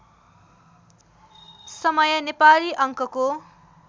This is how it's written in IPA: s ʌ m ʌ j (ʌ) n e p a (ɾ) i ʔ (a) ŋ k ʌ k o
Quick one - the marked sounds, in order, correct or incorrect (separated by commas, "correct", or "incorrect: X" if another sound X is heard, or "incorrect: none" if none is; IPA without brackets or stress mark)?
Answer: correct, incorrect: l, incorrect: ʌ